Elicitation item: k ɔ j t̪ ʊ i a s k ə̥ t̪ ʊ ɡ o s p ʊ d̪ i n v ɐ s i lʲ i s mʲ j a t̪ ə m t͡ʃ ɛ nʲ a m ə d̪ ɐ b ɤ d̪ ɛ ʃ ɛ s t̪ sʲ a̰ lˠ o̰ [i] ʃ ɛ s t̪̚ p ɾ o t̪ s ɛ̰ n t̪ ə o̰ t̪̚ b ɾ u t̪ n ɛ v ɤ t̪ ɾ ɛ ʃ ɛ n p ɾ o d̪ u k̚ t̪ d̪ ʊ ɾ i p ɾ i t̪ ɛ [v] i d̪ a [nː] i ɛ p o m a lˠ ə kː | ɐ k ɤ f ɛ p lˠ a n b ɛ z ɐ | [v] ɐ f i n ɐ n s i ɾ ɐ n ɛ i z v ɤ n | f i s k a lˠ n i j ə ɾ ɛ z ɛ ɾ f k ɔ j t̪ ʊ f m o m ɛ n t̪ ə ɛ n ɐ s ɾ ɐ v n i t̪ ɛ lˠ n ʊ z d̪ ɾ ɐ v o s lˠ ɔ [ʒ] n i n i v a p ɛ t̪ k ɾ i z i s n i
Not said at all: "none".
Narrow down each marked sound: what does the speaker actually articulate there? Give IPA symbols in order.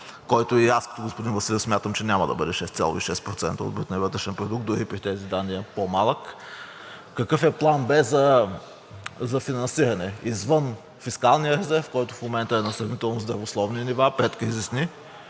i, z, nː, z, v

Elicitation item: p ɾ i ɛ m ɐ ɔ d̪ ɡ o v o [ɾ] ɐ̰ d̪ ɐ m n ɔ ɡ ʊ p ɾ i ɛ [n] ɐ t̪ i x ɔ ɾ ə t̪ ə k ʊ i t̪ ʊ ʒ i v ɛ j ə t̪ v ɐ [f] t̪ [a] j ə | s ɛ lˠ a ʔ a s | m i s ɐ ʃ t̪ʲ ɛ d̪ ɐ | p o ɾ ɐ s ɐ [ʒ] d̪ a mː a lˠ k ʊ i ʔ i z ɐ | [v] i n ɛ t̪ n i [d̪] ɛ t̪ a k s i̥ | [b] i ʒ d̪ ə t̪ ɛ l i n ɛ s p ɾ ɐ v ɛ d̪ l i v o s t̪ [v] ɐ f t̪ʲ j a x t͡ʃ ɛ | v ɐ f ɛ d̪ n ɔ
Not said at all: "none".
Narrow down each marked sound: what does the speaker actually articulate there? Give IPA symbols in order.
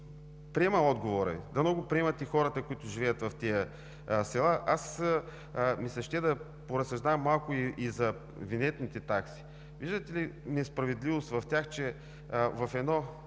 ɾ, m, f, i, ʒ, v, t̪, v, v

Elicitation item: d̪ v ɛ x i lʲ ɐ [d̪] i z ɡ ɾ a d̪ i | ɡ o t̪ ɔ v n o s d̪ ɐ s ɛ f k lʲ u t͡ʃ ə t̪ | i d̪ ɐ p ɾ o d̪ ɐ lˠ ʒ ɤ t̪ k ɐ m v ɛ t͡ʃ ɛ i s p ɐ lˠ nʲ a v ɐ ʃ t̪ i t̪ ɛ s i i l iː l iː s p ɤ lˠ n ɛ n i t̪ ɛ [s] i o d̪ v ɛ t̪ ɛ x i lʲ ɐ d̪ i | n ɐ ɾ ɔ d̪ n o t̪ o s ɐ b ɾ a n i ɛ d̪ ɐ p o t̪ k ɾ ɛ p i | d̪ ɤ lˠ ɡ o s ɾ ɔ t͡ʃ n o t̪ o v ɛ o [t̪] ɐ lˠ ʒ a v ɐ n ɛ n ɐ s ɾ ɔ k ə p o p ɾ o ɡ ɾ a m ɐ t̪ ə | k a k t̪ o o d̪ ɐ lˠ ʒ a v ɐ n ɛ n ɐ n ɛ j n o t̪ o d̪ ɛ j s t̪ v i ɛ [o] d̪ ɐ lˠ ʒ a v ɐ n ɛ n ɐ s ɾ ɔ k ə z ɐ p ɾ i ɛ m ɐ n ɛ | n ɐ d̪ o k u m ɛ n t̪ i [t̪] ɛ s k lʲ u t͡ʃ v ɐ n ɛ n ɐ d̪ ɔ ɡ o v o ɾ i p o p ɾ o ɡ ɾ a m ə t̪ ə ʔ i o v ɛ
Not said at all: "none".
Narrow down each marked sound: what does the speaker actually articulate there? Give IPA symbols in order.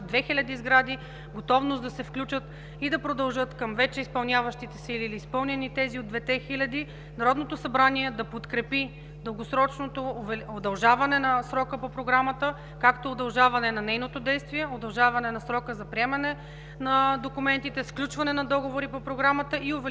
d̪, z, d̪, o, t̪

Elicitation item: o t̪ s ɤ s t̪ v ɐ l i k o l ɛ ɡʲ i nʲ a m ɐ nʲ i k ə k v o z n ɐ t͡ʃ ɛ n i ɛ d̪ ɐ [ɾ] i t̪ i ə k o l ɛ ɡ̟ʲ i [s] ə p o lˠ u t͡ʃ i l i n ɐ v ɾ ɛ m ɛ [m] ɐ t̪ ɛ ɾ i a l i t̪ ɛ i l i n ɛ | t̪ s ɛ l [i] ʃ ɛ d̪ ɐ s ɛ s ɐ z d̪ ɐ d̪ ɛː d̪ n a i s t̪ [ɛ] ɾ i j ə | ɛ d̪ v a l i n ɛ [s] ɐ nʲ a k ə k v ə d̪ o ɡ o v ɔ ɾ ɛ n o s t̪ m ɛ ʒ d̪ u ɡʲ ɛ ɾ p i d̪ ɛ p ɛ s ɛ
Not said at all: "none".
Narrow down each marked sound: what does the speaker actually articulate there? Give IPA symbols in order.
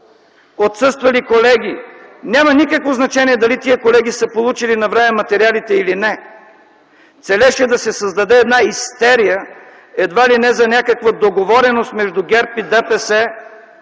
l, s, m, ɛ, ɛ, z

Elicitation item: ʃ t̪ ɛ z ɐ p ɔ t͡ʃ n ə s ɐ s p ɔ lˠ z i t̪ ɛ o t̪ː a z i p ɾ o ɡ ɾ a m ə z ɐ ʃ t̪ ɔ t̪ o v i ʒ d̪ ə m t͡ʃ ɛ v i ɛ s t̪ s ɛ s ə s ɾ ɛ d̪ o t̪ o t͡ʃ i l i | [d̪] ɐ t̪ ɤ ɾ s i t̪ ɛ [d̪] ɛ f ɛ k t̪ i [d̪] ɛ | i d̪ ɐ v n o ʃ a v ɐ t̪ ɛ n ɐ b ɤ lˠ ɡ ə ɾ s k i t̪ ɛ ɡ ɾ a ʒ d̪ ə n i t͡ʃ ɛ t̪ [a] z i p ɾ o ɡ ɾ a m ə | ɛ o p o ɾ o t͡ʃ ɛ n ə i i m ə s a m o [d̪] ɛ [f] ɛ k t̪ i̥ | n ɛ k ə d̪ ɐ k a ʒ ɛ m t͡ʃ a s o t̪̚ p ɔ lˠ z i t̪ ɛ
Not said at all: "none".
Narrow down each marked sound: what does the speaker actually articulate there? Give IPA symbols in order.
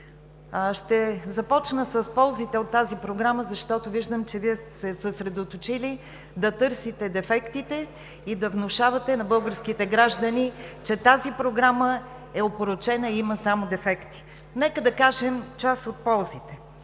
d̪, d̪, t̪, a, d̪, f

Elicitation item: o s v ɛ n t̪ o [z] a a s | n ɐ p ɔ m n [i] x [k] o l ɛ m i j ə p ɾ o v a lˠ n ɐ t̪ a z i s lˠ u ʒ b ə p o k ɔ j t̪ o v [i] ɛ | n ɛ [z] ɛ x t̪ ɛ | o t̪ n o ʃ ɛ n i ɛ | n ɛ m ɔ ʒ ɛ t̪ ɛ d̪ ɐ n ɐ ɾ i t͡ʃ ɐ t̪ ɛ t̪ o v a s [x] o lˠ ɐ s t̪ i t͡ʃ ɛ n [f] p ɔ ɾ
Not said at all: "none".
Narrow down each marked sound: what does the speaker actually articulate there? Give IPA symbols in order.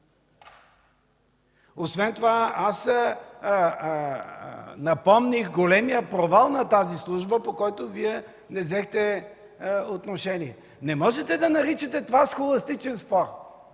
v, i, ɡ, i, z, x, s

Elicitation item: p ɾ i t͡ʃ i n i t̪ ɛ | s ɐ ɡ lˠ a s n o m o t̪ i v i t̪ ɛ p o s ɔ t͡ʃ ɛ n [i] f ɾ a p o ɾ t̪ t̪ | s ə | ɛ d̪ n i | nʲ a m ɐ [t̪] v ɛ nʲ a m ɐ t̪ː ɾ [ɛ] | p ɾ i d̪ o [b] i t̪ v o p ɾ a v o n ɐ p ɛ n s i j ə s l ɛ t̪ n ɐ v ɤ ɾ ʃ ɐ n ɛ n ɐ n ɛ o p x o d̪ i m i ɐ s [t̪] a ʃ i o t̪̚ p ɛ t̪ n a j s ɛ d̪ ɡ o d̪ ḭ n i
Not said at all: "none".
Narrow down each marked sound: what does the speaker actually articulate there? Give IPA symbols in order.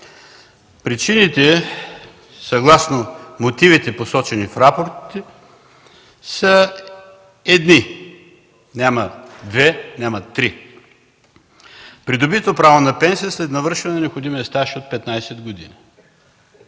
i, d̪, i, b, t̪

